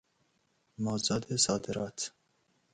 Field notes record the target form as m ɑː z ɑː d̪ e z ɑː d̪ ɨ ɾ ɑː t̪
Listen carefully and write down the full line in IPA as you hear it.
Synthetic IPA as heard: m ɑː z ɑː d̪ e s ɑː d̪ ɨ ɾ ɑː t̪